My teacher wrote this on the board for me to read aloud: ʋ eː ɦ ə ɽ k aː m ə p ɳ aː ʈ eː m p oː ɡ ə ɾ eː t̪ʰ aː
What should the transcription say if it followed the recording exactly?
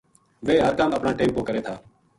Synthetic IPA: ʋ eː ɦ ə ɾ k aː m ə p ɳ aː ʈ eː m p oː k ə ɾ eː t̪ʰ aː